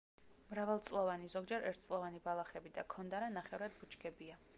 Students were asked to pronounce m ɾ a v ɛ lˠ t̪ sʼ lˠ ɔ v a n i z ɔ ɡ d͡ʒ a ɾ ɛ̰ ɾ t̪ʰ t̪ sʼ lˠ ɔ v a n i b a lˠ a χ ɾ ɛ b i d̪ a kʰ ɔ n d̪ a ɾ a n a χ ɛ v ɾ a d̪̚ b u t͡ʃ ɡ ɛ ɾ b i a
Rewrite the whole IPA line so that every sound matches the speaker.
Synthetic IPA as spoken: m ɾ a v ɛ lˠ t̪ sʼ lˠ ɔ v a n i z ɔ ɡ d͡ʒ ɛ ɾ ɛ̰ ɾ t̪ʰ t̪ sʼ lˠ ɔ v a n i b a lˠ a χ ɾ ɛ b i d̪ a kʰ ɔ n d̪ a ɾ a n a χ ɛ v ɾ a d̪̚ b u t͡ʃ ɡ ɛ b i a